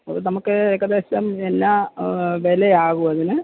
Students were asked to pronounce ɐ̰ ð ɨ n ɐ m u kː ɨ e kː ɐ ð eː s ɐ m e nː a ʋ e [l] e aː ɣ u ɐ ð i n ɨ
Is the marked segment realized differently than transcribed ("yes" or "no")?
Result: no